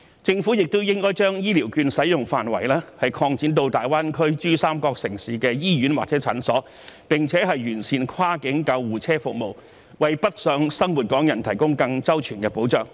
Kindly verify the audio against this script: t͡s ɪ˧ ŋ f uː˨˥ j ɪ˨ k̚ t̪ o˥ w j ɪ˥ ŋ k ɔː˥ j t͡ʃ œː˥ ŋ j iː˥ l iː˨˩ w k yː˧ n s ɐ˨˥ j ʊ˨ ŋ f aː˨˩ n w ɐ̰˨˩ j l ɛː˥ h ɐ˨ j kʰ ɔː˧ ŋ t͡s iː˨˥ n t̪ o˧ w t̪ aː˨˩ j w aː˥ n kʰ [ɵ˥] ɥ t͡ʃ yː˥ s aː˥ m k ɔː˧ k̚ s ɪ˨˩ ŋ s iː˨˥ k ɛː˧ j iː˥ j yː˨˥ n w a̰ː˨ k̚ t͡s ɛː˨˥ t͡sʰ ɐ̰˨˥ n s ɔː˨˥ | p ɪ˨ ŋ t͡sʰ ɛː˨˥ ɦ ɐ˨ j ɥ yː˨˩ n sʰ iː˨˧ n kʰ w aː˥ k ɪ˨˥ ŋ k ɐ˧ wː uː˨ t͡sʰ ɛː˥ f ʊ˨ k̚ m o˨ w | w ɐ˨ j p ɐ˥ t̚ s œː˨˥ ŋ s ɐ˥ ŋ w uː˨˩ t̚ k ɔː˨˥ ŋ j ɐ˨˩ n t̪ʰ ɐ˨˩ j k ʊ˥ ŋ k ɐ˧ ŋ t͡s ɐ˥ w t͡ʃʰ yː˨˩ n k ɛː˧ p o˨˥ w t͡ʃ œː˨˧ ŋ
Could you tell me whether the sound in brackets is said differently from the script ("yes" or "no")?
no